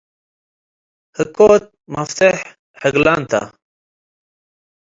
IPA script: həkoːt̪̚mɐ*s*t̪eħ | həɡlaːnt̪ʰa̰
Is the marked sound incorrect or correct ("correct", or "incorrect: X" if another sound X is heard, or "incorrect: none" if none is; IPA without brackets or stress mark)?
incorrect: f